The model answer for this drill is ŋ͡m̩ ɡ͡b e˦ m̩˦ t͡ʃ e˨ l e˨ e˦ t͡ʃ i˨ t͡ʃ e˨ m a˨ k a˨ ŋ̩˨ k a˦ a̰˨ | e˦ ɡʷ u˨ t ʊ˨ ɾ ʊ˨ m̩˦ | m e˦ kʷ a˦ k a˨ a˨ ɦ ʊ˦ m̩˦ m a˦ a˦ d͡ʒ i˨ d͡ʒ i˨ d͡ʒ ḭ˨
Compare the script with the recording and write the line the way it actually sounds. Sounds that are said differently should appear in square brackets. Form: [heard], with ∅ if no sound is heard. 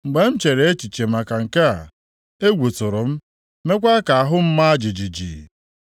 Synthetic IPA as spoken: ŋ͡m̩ ɡ͡b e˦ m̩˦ t͡ʃ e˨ [ɾ] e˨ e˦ t͡ʃ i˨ t͡ʃ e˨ m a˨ k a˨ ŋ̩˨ k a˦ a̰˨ | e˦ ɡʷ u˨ t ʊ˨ ɾ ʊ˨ m̩˦ | m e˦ kʷ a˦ k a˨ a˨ ɦ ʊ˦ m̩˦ m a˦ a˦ d͡ʒ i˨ d͡ʒ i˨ d͡ʒ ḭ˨